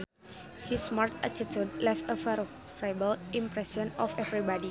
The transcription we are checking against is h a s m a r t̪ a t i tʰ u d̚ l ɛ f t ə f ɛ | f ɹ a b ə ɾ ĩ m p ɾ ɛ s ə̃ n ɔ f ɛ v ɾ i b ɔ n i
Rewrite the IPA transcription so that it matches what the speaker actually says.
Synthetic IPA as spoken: h i s m a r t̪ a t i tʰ u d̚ l ɛ f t ə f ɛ | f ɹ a b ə l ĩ m p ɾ ɛ s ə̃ n ɔ f ɛ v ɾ i b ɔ d i